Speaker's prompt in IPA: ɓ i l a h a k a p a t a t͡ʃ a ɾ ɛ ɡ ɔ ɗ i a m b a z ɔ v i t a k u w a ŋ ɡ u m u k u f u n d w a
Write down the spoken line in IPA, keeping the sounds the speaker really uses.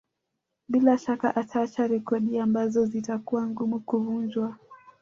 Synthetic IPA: ɓ i l a ʃ a k a ʔ a t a t͡ʃ a ɾ ɛ k ɔ ɗ i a m b a z ɔ z i t a k u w a ŋ ɡ u m u k u v u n d͡ʒ w a